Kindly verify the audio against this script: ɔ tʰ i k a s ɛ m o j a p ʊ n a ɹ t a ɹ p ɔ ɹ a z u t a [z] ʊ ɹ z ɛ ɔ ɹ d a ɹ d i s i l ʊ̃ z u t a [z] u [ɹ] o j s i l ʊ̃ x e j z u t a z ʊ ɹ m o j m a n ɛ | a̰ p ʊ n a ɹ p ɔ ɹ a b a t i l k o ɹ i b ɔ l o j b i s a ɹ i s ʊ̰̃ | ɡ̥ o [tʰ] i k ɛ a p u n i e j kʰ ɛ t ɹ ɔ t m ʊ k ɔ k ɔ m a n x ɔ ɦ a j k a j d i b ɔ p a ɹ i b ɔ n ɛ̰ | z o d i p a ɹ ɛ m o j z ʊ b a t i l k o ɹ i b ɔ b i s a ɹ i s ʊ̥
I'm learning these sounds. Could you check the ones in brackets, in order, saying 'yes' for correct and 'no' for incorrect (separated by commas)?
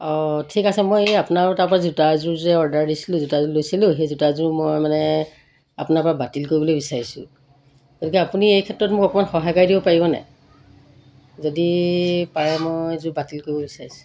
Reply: yes, yes, no, no